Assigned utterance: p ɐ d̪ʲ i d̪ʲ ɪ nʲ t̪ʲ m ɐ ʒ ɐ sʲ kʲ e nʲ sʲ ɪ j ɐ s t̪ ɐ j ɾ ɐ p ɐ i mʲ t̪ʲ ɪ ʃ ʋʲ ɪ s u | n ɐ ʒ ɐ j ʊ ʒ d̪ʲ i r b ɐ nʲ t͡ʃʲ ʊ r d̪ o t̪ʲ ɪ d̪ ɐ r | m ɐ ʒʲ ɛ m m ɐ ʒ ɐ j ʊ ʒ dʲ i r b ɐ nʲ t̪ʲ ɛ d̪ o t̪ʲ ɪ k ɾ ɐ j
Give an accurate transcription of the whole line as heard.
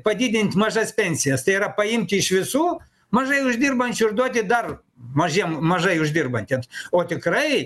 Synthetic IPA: p ɐ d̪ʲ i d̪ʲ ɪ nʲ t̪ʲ m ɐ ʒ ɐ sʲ pʲ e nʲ sʲ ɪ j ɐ s t̪ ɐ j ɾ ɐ p ɐ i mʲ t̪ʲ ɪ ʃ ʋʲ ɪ s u | m ɐ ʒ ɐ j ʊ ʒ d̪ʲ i r b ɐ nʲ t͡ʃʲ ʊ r d̪ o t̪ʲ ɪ d̪ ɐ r | m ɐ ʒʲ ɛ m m ɐ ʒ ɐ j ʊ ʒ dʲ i r b ɐ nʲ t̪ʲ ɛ t̪ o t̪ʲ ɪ k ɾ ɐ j